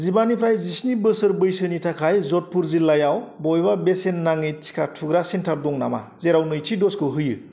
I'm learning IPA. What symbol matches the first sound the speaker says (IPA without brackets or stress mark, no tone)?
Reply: z